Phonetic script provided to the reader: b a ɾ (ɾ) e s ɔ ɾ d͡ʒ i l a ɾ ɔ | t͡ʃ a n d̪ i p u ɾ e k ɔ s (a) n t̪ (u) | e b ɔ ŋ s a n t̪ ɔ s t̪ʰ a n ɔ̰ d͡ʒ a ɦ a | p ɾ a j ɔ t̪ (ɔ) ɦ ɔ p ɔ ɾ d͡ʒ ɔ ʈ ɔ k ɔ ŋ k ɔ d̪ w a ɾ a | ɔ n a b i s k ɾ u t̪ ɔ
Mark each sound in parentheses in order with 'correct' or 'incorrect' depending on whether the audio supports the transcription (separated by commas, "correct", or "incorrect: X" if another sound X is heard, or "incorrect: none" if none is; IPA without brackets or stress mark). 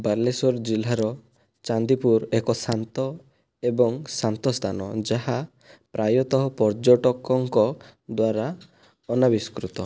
incorrect: l, correct, incorrect: ɔ, correct